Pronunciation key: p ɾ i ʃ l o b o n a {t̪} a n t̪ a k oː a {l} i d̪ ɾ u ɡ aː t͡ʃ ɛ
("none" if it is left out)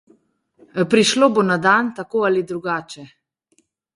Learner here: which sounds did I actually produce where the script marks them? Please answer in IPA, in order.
d̪, l

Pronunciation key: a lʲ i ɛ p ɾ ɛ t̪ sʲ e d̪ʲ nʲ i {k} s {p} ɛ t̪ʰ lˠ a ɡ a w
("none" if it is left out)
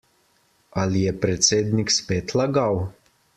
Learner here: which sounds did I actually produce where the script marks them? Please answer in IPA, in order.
k, p

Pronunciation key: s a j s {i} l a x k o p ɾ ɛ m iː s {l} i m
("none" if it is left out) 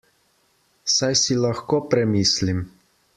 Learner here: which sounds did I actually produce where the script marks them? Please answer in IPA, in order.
i, l

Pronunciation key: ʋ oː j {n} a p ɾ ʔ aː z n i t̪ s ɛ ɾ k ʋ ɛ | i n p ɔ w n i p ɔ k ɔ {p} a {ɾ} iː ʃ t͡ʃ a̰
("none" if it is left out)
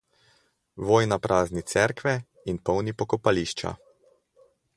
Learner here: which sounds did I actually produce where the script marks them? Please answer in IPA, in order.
n, p, l

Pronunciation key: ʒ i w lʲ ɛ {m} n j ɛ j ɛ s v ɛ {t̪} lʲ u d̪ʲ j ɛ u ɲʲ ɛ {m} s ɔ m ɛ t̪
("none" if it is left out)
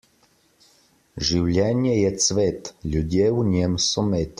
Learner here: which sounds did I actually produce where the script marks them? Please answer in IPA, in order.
none, t̪, m

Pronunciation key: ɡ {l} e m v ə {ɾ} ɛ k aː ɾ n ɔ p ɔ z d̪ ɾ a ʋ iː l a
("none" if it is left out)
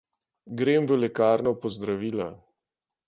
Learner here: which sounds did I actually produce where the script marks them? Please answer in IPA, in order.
ɾ, l

